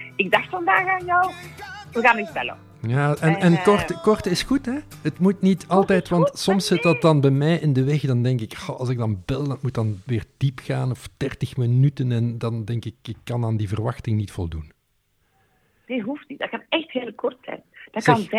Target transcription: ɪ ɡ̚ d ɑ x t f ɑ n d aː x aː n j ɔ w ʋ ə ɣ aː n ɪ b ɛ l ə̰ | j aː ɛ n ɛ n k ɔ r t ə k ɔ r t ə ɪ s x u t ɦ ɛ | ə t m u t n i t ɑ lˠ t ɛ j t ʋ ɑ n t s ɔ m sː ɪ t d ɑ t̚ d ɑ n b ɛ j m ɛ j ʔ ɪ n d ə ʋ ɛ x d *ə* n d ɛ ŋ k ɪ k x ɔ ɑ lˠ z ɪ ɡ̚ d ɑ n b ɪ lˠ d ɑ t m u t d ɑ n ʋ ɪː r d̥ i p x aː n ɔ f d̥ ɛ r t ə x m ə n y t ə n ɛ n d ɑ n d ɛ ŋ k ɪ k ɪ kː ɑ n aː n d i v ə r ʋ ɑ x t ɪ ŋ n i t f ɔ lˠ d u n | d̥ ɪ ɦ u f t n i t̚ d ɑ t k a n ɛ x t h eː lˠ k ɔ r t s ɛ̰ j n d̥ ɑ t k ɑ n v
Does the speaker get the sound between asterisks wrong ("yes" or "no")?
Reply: yes